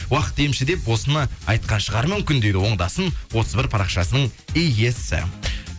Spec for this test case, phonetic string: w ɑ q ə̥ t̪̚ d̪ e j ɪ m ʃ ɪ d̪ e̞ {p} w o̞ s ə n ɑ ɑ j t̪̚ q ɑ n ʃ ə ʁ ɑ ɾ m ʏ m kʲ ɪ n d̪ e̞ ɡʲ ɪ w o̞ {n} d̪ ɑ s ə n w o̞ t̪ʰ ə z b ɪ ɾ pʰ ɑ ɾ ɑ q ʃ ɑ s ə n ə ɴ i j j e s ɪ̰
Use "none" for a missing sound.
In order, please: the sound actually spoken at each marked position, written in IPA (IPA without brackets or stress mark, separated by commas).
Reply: p, ɴ